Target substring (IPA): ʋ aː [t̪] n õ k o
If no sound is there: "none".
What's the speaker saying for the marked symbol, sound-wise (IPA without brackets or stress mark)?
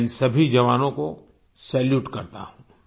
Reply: none